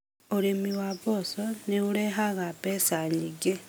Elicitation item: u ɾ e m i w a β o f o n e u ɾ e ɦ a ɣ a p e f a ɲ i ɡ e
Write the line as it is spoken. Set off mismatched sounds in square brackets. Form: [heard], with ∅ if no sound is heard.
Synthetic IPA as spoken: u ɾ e m i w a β o [s] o n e u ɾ e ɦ a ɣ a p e [s] a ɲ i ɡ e

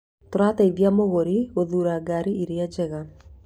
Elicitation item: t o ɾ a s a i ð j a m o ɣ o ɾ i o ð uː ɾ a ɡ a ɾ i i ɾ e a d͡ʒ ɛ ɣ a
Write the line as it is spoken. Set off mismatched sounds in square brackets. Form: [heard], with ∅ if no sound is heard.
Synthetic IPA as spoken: t o ɾ a [t] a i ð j a m o ɣ o ɾ i o ð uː ɾ a ɡ a ɾ i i ɾ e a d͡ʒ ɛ ɣ a

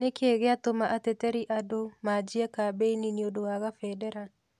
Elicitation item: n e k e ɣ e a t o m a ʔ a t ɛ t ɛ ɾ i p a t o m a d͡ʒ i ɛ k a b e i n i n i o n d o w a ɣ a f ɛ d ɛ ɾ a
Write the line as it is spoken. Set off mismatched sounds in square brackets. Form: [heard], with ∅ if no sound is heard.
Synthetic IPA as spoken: n e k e ɣ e a t o m a ʔ a t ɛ t ɛ ɾ i [ʔ] a [d] o m a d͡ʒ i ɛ k a b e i n i n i o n d o w a ɣ a f ɛ d ɛ ɾ a

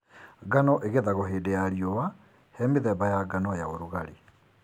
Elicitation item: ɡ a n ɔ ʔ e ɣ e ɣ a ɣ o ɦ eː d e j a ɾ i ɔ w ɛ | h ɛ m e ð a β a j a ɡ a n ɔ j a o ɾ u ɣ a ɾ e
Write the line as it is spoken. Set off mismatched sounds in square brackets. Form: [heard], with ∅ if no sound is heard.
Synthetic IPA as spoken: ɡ a n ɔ ʔ e ɣ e [ð] a ɣ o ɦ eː d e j a ɾ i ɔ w [a] | h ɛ m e ð [ɛ] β a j a ɡ a n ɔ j a o ɾ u ɣ a ɾ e

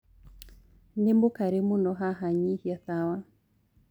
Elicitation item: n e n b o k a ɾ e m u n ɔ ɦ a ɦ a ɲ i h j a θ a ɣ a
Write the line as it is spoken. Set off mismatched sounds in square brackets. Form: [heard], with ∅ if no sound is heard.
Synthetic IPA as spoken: n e [m] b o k a ɾ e m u n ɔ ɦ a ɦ a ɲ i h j a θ a [w] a

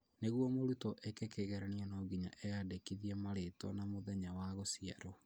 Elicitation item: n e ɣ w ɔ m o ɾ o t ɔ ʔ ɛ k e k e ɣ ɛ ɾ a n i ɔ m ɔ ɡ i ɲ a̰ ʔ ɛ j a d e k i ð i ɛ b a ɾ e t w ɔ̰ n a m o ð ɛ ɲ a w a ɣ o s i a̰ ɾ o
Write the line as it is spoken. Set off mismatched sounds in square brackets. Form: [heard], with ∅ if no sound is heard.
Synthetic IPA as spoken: n e ɣ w ɔ m o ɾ [u] t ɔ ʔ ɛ k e k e ɣ ɛ ɾ a n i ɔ [n] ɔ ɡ i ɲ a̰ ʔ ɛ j a d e k i ð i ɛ [m] a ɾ e t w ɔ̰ n a m o ð ɛ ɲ a w a ɣ o s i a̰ ɾ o

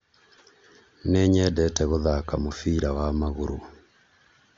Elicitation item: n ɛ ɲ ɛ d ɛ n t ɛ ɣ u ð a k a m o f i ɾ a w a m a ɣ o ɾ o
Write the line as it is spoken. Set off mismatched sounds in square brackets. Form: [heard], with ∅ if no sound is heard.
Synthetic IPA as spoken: n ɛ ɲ ɛ d ɛ [∅] t ɛ ɣ [o] ð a k a m o f i ɾ a w a m a ɣ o ɾ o

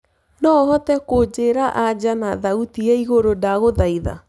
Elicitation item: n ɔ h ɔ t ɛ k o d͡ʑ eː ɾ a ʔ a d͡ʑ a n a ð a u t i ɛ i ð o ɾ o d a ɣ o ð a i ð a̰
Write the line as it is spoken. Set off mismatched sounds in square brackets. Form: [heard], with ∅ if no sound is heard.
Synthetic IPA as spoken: n ɔ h ɔ t ɛ k o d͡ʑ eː ɾ a ʔ a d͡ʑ a n a ð a u t i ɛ i [ɣ] o ɾ o d a ɣ o ð a i ð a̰

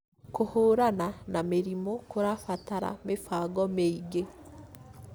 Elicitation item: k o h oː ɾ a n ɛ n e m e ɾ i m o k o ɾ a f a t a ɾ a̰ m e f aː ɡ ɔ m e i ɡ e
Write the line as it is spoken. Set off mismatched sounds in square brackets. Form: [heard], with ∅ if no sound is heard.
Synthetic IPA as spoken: k o h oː ɾ a n [a] n [a] m e ɾ i m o k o ɾ a f a t a ɾ a̰ m e f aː ɡ ɔ m e i ɡ e

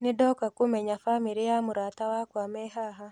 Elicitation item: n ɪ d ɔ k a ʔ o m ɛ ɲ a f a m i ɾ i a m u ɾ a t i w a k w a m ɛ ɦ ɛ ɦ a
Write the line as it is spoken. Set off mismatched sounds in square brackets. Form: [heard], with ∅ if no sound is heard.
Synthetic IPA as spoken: n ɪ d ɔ k a [k] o m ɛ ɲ a f a m i ɾ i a m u ɾ a t [a] w a k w a m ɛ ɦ [a] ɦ a

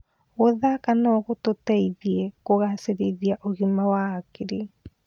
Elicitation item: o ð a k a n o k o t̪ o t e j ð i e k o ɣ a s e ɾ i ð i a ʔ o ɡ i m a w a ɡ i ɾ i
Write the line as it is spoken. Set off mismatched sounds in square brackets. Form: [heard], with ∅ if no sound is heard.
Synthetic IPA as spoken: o ð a k a n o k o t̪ o t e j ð i e k o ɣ a s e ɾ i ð i a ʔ o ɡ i m a w a [k] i ɾ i

